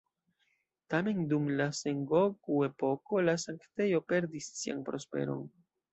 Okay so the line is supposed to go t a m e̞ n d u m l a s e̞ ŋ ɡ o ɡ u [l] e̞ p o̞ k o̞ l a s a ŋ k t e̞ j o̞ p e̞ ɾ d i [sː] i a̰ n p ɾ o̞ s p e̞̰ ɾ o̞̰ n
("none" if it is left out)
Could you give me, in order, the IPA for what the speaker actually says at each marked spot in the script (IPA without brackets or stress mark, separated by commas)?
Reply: none, sː